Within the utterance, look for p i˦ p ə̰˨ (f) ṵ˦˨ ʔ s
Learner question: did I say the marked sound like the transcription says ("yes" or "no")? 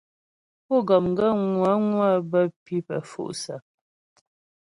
yes